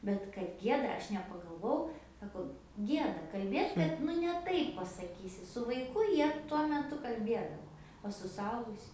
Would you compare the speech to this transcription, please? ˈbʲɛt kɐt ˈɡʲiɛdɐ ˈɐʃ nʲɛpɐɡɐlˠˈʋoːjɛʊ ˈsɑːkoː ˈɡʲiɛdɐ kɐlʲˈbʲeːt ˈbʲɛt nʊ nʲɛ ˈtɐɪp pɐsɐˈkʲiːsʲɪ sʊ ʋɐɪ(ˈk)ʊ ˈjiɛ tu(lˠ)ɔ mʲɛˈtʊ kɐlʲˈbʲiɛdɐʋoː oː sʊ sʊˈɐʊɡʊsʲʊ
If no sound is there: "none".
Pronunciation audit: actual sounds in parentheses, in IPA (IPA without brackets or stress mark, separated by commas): k, none